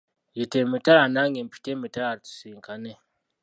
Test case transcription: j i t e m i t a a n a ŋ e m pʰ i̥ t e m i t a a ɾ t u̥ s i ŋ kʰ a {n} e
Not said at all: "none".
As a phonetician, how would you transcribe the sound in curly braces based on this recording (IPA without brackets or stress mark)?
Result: n